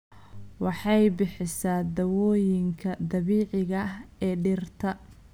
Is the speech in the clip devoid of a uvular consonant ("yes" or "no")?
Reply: yes